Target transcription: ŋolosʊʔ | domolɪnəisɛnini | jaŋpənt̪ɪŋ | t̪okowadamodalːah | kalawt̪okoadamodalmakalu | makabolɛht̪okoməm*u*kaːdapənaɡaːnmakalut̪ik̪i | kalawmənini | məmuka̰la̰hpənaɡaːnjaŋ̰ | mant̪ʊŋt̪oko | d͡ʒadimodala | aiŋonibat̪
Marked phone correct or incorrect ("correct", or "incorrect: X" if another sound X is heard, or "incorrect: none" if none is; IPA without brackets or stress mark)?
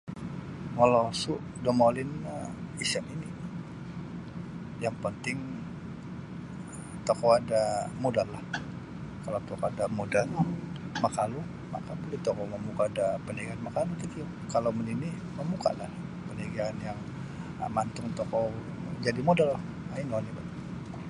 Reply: correct